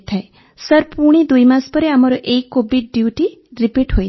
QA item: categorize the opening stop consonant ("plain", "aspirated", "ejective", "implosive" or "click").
aspirated